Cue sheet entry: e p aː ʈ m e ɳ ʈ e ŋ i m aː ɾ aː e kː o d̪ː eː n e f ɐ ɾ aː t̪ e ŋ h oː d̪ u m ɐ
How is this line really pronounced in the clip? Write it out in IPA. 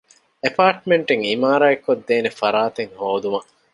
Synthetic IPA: e p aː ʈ m e ɳ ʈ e ŋ i m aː ɾ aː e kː o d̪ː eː n e f ɐ ɾ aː t̪ e ŋ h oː d̪ u m ɐ